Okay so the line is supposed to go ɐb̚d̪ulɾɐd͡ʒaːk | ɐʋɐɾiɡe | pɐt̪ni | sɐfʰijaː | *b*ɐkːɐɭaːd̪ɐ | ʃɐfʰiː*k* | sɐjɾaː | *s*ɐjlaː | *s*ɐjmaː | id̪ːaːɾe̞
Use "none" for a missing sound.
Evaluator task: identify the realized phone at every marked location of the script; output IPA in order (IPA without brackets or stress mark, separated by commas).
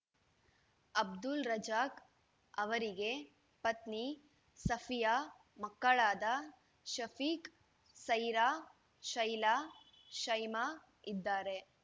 m, k, ʃ, ʃ